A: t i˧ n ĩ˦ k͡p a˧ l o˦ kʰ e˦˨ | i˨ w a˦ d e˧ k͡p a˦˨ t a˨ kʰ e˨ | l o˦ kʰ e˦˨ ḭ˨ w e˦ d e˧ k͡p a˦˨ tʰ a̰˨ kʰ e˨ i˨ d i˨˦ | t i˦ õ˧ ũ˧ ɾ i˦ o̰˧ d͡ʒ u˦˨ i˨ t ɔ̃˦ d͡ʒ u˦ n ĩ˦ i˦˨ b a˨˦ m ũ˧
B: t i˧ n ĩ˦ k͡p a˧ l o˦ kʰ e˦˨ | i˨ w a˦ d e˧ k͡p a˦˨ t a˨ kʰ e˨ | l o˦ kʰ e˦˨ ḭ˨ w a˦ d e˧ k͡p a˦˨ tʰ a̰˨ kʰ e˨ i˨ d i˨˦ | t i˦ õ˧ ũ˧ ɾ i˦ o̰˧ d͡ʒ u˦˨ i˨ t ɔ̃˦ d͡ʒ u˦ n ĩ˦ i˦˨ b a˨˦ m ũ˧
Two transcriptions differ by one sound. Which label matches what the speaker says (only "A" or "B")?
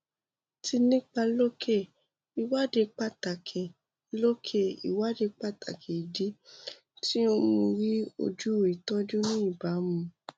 B